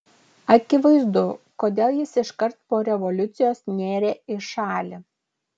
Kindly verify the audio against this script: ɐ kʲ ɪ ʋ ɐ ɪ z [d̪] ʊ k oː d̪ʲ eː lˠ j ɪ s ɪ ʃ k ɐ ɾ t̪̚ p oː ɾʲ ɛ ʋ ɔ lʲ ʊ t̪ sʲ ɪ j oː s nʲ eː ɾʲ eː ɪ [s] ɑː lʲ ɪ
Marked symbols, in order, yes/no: yes, no

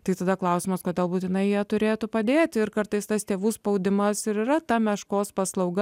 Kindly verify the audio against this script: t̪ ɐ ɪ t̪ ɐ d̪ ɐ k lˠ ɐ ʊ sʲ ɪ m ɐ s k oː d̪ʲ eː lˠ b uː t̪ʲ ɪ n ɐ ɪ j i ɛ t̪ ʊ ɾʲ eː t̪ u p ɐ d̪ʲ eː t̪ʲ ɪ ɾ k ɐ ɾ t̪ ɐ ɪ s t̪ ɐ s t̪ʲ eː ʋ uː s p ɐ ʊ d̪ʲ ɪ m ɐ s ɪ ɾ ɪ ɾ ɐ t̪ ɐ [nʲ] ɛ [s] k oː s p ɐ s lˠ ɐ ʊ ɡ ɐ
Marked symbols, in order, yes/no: no, no

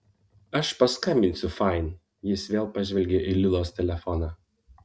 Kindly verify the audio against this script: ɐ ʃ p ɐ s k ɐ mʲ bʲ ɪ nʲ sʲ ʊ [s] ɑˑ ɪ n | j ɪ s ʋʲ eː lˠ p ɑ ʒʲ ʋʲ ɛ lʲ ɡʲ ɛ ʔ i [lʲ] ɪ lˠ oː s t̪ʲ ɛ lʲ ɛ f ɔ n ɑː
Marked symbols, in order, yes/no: no, yes

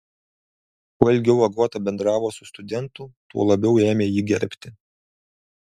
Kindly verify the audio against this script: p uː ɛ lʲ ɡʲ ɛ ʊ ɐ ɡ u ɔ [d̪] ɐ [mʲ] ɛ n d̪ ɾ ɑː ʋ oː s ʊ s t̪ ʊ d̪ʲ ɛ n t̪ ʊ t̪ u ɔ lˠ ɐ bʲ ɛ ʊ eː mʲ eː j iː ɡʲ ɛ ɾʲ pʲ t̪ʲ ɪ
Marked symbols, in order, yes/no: no, no

